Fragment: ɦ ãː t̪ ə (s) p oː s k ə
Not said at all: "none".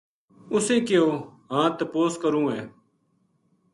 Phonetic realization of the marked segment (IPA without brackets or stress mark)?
none